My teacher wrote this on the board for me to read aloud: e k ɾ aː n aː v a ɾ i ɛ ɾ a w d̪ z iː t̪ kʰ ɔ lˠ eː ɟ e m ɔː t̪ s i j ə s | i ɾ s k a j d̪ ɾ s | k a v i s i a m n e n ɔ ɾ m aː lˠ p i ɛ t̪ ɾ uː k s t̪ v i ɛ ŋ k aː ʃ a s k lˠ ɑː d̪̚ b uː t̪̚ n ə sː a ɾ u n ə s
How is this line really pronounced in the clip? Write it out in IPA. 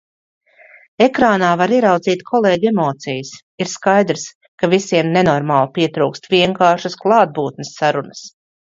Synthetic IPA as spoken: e k ɾ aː n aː v a ɾ i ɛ ɾ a w d̪ z iː t̪ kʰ ɔ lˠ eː ɟ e m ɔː t̪ s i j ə s | i ɾ s k a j d̪ ɾ s | k a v i s i ɛ m n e n ɔ ɾ m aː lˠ p i ɛ t̪ ɾ uː k s t̪ v i ɛ ŋ k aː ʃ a s k lˠ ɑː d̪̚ b uː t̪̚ n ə sː a ɾ u n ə s

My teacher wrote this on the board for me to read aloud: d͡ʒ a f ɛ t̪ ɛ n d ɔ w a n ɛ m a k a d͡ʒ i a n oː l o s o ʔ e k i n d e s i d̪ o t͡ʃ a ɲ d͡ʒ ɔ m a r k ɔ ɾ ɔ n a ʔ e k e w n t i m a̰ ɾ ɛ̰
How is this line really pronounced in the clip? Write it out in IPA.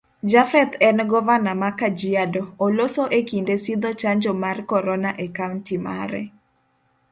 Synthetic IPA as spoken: d͡ʒ a f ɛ t̪ ɛ n ɡ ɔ v a n a m a k a d͡ʒ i a d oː l o s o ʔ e k i n d e s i d̪ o t͡ʃ a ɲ d͡ʒ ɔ m a r k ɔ ɾ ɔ n a ʔ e k a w n t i m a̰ ɾ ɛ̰

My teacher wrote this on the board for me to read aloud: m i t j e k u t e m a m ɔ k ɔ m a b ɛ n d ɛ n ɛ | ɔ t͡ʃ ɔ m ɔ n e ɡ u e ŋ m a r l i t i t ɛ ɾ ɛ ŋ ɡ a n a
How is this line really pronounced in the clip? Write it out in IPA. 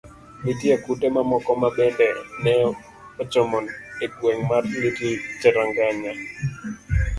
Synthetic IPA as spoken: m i t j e k u t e m a m ɔ k ɔ m a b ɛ n d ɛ n ɛ | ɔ t͡ʃ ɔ m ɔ n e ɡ w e ŋ m a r l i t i t͡ʃ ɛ ɾ a ŋ ɡ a ɲ a

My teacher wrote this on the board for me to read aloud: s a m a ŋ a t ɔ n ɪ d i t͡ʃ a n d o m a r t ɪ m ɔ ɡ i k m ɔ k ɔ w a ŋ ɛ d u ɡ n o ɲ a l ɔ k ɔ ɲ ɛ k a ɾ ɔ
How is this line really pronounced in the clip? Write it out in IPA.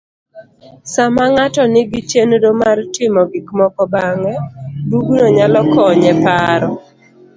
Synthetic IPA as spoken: s a m a ŋ a t ɔ n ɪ ɡ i t͡ʃ e n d o m a r t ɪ m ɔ ɡ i k m ɔ k ɔ b a ŋ ɛ d u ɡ n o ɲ a l ɔ k ɔ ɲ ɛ p a ɾ ɔ

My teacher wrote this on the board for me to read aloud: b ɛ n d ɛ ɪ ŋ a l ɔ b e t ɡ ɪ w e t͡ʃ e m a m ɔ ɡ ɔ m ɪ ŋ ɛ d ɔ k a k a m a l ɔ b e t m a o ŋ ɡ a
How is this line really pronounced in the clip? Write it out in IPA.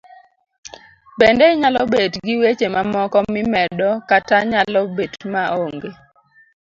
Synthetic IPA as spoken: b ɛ n d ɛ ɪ ɲ a l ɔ b e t ɡ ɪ w e t͡ʃ e m a m ɔ k ɔ m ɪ m ɛ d ɔ k a t a ɲ a l ɔ b e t m a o ŋ ɡ e

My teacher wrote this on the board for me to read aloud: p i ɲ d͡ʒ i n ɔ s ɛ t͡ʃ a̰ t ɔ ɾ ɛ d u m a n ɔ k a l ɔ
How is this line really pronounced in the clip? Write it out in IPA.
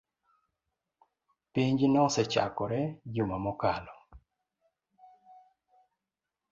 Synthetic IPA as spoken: p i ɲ d͡ʒ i n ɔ s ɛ t͡ʃ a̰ k ɔ ɾ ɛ d͡ʒ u m a m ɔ k a l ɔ

